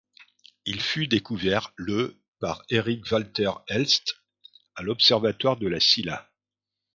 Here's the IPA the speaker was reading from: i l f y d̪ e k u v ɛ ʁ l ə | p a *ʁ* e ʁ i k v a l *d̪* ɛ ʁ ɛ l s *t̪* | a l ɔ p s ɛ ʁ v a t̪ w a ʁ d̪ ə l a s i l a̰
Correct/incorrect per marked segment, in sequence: correct, incorrect: t̪, correct

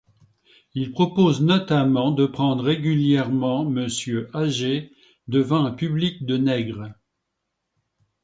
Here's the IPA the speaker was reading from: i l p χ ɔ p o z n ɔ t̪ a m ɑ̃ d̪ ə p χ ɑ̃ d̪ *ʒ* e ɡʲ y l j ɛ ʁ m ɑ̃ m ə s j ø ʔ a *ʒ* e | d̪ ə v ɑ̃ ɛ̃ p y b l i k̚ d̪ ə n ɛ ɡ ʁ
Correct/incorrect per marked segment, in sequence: incorrect: ʁ, correct

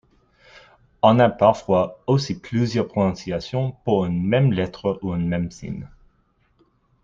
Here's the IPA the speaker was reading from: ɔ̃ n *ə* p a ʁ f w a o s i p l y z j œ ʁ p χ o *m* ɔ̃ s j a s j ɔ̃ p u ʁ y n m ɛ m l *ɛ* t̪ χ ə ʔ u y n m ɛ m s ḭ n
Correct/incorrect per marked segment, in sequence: incorrect: a, incorrect: n, correct

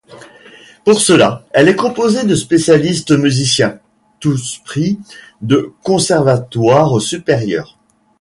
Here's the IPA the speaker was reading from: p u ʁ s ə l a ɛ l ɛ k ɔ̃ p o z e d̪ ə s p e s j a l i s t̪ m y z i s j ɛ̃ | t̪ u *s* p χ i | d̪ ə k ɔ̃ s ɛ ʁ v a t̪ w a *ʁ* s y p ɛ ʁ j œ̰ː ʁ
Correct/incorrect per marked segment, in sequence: correct, correct

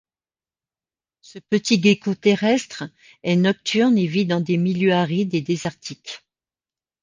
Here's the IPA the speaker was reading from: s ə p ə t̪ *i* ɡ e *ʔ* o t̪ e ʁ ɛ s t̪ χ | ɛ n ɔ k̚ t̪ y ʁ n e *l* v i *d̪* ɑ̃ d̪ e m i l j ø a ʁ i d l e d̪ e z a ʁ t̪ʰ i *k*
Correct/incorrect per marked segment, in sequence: correct, incorrect: k, incorrect: none, correct, correct

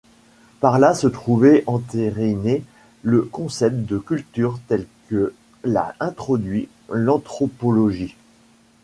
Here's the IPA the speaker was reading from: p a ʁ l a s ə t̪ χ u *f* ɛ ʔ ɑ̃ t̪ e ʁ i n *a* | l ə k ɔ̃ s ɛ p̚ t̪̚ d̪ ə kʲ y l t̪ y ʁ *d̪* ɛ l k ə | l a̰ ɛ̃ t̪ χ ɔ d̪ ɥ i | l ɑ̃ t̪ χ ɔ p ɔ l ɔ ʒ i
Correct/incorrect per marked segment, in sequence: incorrect: v, incorrect: e, incorrect: t̪

